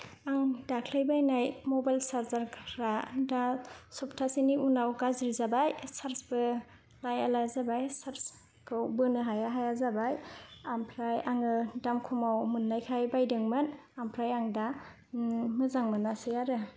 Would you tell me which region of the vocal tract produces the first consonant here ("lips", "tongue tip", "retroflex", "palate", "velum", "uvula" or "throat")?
velum